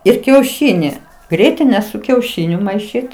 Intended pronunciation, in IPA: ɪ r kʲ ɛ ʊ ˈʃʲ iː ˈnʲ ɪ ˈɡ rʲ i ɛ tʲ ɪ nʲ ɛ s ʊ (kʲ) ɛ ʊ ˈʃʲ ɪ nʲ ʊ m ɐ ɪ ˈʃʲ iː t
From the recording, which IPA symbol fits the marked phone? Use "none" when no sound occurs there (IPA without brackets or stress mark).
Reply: kʲ